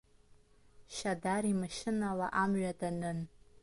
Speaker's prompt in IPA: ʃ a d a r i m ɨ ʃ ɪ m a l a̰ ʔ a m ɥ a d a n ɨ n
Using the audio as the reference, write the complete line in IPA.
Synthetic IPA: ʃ a d a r i m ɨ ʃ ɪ n a l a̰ ʔ a m ɥ a d a n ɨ n